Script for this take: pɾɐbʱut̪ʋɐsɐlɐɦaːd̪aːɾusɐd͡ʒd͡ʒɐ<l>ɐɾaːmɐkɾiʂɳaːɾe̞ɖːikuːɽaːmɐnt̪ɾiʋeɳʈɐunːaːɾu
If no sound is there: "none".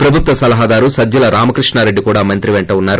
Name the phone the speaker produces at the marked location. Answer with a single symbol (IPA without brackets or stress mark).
l